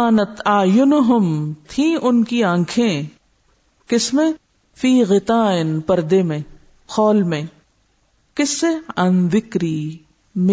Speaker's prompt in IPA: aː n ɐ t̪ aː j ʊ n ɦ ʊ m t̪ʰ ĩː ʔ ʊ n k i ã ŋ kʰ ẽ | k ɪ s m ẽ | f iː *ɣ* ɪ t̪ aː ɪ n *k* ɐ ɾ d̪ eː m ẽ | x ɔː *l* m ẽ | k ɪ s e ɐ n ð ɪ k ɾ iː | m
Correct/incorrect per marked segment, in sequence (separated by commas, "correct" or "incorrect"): correct, incorrect, correct